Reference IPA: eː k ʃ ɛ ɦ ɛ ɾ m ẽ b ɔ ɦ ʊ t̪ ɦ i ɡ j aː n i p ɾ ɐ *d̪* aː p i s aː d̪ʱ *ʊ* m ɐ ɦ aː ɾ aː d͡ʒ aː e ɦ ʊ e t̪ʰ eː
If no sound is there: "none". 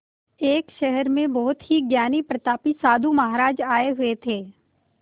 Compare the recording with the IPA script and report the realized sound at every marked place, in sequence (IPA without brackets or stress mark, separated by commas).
t̪, u